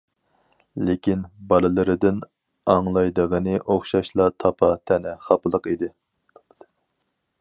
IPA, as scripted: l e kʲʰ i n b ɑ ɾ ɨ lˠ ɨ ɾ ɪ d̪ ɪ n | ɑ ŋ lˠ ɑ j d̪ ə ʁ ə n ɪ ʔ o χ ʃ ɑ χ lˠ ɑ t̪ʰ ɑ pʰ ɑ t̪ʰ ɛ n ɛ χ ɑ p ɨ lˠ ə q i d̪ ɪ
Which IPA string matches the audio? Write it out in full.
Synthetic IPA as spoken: l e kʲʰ i n b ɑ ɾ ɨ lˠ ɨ ɾ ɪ d̪ ɪ n | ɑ ŋ lˠ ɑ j d̪ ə ʁ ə n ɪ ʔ o χ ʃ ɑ ʃ lˠ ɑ t̪ʰ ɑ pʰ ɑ t̪ʰ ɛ n ɛ χ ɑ p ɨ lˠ ə q i d̪ ɪ